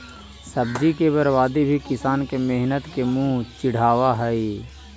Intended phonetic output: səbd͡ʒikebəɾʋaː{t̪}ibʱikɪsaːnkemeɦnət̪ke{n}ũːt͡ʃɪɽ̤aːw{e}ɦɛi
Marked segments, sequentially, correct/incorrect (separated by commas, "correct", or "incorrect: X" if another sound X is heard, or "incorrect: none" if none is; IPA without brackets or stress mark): incorrect: d̪, incorrect: m, incorrect: a